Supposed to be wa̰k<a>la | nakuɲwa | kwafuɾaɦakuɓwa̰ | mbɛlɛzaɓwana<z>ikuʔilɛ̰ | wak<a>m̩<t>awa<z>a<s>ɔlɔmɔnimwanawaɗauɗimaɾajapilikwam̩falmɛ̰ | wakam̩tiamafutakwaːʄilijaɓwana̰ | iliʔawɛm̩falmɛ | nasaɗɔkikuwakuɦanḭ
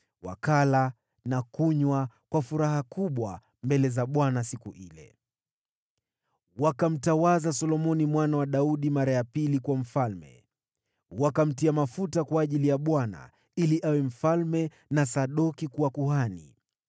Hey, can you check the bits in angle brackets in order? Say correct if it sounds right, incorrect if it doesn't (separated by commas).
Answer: correct, incorrect, correct, correct, correct, correct